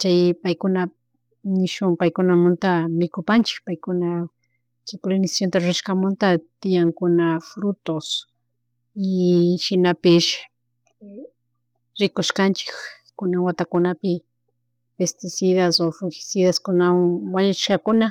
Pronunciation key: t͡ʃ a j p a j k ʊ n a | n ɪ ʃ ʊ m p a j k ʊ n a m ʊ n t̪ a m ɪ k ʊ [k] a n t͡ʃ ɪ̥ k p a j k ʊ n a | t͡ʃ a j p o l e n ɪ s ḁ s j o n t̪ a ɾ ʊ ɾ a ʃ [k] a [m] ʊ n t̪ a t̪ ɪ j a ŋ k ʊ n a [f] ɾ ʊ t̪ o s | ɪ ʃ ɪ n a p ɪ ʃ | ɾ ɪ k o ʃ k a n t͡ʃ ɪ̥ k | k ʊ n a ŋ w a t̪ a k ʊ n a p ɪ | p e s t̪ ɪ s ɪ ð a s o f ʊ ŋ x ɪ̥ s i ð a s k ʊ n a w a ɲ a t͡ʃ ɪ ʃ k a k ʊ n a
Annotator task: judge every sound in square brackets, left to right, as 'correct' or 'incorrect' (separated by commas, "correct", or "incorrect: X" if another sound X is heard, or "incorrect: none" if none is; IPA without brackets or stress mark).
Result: incorrect: p, correct, correct, correct